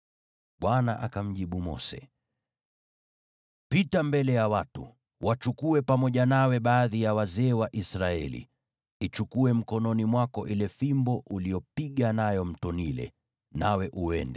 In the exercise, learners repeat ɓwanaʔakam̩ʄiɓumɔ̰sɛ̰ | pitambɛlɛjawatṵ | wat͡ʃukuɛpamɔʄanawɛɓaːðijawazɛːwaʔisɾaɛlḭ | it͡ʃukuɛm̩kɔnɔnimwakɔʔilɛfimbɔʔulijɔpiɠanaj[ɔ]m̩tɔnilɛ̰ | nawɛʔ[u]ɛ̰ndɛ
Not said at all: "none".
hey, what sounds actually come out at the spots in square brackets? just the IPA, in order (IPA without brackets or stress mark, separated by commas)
ɔ, u